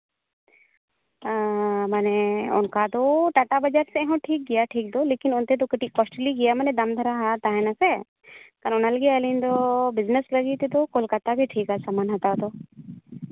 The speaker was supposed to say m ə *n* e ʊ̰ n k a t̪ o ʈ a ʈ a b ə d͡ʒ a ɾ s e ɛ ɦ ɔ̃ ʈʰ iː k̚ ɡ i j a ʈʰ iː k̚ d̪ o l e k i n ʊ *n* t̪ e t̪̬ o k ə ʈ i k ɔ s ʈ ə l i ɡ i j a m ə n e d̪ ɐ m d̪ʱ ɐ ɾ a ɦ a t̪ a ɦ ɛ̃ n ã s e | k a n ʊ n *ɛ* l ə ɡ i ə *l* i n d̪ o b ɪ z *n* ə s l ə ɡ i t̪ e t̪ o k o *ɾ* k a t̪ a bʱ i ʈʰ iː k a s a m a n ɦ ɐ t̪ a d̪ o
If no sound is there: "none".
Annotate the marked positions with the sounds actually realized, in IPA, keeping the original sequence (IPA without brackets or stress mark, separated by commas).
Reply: n, n, a, l, n, l